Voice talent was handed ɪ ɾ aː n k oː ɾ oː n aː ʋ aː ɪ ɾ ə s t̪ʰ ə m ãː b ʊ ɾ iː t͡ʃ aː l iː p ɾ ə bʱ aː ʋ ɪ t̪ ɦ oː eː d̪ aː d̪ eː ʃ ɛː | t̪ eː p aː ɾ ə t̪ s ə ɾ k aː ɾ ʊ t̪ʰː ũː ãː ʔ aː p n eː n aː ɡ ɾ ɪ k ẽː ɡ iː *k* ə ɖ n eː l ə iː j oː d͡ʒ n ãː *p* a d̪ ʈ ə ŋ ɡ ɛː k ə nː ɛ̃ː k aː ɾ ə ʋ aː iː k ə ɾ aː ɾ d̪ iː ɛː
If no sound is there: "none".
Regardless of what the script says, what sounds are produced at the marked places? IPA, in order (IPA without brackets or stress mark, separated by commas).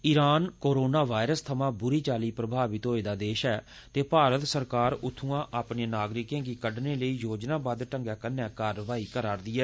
k, b